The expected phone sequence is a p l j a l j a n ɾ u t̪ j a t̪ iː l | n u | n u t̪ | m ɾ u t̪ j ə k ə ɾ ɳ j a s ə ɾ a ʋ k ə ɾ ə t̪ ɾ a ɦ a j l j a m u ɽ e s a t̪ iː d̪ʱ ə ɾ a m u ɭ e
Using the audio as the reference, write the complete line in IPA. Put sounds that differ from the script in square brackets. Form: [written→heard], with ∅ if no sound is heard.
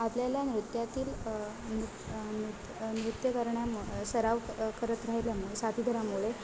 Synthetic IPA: a p l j a l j a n ɾ u t̪ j a t̪ iː l | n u | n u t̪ | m ɾ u t̪ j ə k ə ɾ ɳ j a s ə ɾ a ʋ k ə ɾ ə t̪ ɾ a ɦ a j l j a m u [ɽ→ɭ] e s a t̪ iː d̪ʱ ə ɾ a m u ɭ e